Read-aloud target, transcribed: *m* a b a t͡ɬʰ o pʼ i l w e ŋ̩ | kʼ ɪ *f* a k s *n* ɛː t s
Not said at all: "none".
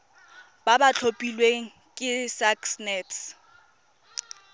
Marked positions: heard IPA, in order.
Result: b, s, n

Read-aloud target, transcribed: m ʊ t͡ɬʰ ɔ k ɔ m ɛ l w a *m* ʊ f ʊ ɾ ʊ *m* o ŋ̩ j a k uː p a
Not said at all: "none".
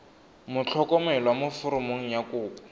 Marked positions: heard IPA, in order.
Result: m, m

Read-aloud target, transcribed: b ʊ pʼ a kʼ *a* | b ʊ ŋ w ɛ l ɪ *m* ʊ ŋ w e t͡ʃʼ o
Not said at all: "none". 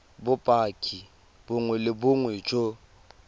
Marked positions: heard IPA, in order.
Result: i, b

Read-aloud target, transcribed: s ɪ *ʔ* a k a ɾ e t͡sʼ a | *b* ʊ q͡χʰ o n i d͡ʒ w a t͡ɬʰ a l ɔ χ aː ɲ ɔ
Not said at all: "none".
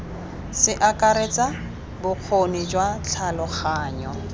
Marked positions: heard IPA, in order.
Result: ʔ, b

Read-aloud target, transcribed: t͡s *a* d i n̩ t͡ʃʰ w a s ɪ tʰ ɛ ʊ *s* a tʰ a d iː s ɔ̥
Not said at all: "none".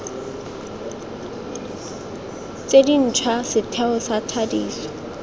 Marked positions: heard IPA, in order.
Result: e, s

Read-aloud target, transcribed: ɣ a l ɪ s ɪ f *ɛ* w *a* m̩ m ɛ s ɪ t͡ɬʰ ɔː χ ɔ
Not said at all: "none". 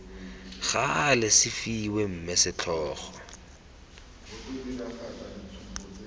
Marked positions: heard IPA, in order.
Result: i, e

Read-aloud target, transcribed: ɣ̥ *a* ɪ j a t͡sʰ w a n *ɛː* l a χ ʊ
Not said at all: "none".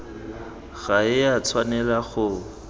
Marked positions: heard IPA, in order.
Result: a, ɛ

